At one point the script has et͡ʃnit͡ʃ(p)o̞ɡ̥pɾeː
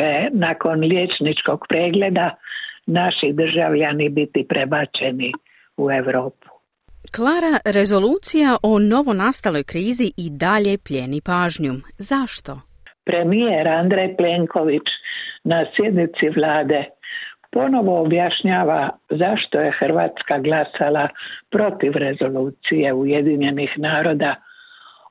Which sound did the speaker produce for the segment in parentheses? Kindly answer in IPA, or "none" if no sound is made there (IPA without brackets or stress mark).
k